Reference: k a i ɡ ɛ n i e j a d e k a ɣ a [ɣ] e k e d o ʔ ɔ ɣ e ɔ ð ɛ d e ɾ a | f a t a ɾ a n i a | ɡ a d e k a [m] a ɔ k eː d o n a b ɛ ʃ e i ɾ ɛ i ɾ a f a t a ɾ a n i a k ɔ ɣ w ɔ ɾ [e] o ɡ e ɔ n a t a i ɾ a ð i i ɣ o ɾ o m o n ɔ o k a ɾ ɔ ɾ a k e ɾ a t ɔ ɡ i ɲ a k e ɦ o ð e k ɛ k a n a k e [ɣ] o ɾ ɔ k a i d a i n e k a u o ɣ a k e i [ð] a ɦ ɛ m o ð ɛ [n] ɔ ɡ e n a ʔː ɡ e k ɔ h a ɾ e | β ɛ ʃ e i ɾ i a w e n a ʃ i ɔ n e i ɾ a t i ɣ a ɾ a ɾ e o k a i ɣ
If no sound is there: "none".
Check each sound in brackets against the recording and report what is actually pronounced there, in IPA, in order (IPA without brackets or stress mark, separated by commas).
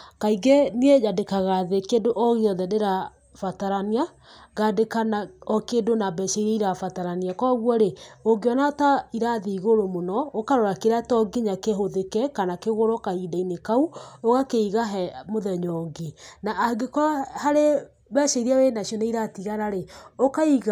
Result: ð, n, e, ɣ, ɣ, ɲ